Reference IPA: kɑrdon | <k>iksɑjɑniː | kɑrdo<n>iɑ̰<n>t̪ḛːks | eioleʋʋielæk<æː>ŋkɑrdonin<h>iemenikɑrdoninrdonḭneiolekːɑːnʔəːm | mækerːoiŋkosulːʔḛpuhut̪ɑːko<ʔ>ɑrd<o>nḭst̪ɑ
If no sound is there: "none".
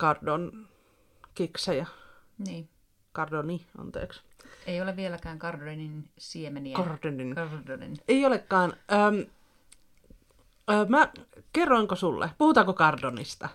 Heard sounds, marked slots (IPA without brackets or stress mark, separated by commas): k, n, n, æː, s, k, o